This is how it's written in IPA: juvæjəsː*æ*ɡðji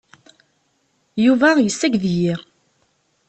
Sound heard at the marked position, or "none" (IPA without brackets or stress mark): æ